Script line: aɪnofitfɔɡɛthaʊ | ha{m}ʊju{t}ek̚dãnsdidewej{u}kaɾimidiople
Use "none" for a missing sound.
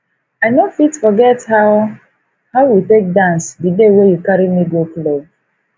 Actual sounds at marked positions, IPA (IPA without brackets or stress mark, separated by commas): none, t, u